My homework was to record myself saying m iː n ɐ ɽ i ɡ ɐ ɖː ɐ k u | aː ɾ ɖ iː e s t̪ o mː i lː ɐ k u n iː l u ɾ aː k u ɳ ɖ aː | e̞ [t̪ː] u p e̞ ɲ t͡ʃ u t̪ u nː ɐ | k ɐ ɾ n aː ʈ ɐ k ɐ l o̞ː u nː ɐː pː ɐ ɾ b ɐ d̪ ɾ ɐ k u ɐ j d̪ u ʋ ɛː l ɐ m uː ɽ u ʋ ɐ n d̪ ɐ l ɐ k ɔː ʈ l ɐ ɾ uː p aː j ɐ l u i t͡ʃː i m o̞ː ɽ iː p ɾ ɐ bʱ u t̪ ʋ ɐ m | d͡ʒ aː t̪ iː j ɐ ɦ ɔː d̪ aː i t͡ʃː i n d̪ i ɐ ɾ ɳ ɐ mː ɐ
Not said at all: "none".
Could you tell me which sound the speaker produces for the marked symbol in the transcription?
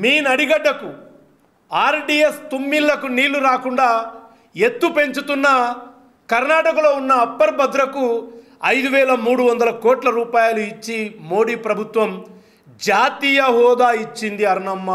t̪ː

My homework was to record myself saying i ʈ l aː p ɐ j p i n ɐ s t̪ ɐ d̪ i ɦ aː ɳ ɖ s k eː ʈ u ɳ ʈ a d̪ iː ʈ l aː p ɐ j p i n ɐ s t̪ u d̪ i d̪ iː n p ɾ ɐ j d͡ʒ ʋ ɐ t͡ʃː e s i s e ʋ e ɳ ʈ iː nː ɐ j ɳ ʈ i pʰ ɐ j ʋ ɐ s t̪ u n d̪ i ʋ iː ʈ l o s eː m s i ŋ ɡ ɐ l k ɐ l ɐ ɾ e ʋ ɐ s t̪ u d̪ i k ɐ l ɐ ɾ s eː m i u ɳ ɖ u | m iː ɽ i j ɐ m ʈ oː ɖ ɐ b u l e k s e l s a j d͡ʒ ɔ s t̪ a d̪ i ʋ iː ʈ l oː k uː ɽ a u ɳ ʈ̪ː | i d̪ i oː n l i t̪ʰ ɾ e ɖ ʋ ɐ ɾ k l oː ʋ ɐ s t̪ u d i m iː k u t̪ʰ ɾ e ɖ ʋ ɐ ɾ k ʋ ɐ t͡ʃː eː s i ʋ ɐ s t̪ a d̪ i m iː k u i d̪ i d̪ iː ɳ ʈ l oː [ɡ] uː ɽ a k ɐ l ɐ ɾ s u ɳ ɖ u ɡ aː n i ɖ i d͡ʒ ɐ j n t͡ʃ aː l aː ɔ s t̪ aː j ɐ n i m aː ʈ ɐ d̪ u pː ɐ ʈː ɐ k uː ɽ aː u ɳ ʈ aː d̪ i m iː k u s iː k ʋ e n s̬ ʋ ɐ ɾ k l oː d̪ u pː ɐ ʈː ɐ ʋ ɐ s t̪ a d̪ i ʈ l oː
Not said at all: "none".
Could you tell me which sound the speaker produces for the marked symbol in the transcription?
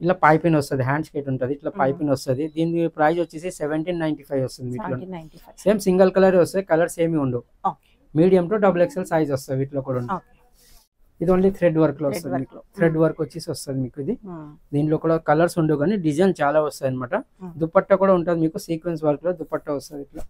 k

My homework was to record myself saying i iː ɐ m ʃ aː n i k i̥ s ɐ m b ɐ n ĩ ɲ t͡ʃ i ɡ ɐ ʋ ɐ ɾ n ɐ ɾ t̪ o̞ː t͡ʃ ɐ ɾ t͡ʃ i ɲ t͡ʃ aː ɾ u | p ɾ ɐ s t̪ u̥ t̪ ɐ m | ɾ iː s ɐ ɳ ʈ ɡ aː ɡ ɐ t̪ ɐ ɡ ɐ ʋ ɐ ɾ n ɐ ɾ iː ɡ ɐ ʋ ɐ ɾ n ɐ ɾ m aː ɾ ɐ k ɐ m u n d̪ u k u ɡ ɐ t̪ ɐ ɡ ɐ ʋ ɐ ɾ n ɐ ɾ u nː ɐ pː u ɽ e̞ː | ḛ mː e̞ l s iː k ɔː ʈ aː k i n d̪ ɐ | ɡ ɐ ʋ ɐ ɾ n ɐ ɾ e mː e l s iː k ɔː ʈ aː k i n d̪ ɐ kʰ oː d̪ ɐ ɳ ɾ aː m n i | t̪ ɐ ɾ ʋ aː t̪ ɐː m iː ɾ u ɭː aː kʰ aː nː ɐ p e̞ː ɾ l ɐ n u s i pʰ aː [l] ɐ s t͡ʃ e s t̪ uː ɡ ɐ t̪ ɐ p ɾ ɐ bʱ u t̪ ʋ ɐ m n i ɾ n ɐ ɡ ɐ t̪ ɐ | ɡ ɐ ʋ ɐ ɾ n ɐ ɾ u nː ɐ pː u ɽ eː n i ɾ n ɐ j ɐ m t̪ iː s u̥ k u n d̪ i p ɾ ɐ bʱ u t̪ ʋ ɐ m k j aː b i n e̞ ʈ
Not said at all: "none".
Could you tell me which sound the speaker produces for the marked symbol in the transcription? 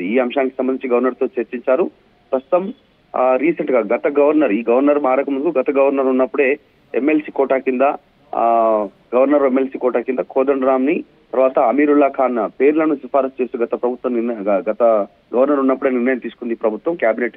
ɾ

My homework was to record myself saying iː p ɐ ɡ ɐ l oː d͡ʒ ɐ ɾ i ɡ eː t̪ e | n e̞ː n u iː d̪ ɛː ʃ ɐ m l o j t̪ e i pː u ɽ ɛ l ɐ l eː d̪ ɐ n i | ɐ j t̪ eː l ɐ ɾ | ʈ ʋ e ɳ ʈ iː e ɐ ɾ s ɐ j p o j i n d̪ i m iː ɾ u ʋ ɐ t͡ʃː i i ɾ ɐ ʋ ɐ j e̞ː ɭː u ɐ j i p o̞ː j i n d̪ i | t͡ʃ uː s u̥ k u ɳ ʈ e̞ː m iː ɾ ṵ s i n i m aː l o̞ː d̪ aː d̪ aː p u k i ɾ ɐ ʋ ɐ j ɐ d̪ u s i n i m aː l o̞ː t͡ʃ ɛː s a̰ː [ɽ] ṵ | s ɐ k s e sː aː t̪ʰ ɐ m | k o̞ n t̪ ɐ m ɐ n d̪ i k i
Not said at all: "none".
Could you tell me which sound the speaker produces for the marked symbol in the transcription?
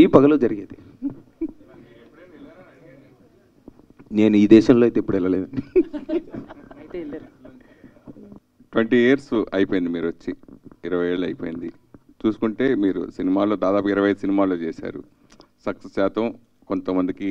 ɾ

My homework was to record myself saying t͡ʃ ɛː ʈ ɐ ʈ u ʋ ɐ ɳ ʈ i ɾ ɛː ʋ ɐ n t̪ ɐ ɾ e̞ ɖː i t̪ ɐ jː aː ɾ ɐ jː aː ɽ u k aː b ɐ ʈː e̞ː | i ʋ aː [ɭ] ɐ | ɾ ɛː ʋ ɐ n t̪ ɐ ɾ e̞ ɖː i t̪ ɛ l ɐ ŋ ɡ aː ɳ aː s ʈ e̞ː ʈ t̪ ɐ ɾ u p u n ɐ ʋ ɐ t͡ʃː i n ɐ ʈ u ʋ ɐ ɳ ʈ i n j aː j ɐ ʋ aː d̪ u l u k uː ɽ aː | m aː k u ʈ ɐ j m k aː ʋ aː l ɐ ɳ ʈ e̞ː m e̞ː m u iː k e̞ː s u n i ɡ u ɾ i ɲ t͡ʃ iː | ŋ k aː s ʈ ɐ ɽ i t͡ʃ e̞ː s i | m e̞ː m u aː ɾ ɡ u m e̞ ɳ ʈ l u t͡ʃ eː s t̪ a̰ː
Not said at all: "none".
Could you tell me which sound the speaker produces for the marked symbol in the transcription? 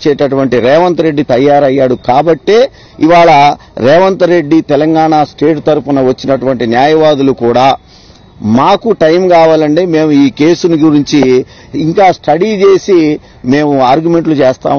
ɭ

